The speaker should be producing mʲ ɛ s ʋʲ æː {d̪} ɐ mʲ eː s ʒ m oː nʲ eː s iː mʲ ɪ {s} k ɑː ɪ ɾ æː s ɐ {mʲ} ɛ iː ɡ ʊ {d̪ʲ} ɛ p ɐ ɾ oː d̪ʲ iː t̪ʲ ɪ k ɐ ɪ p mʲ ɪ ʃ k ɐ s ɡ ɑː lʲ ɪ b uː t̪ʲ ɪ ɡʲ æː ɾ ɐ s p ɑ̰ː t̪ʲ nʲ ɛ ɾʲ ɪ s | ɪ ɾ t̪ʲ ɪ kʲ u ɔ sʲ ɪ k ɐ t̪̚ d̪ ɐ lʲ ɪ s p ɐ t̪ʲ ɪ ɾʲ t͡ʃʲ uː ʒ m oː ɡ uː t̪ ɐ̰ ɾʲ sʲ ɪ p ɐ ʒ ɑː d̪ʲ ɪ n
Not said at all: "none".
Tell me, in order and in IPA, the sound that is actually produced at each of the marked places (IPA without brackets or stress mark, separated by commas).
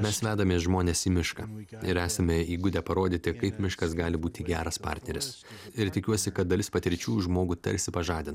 d̪, ʃ, mʲ, d̪ʲ